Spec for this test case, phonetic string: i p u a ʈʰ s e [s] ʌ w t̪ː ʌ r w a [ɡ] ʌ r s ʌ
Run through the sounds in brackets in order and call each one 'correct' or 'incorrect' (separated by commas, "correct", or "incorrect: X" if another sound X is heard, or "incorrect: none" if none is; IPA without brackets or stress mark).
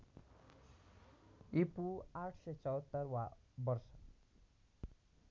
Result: incorrect: t͡s, incorrect: b